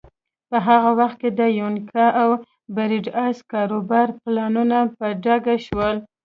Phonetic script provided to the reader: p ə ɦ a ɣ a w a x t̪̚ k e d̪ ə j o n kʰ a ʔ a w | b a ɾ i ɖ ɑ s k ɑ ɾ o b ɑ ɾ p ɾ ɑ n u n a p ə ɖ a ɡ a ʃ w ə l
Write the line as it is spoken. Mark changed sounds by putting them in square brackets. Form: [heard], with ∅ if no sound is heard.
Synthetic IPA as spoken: p ə ɦ a ɣ a w a x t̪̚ k e d̪ ə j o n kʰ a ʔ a w | b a ɾ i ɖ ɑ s k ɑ ɾ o b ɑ ɾ p [l] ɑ n u n a p ə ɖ a ɡ a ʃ w ə l